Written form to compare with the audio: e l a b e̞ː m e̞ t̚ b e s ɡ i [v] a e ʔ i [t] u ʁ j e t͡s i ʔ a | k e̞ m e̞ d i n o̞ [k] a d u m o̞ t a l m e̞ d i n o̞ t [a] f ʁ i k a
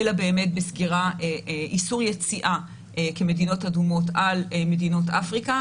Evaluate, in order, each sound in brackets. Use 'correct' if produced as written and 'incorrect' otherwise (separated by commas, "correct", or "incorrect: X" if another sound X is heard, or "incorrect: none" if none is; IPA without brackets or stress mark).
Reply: incorrect: ʁ, incorrect: s, incorrect: t, correct